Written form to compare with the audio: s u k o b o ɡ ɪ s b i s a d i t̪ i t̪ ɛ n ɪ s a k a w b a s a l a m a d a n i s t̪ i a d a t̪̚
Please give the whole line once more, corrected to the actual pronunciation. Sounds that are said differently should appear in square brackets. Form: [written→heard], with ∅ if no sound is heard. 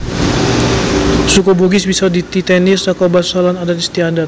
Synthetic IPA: s u k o b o ɡ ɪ s b i s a d i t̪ i t̪ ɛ n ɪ s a k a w b a s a l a [m→n] a d a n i s t̪ i a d a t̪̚